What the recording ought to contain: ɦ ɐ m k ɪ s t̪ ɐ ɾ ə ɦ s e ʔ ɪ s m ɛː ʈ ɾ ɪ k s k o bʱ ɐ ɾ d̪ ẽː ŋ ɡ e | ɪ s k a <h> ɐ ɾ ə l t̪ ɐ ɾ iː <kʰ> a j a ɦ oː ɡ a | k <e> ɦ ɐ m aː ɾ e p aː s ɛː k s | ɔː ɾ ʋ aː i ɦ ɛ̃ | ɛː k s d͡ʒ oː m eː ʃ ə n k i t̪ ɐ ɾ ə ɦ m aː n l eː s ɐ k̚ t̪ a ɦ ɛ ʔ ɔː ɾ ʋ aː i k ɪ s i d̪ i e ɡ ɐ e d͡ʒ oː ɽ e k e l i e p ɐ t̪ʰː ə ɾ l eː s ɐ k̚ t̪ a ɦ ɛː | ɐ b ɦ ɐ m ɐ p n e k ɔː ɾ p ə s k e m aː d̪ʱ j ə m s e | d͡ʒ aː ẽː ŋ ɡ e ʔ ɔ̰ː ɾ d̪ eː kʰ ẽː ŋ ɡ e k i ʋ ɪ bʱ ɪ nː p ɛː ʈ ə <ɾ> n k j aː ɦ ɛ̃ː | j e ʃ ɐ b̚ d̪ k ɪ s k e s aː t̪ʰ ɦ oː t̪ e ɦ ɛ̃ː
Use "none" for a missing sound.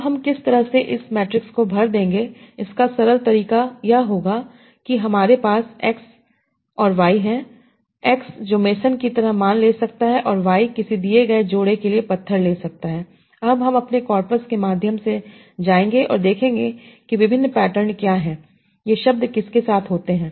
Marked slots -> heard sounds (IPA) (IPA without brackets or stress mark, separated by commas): s, k, i, ɾ